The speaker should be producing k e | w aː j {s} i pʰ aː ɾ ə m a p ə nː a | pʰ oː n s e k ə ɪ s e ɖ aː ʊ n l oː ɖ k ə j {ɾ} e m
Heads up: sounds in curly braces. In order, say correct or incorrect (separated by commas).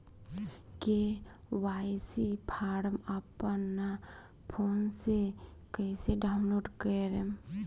correct, correct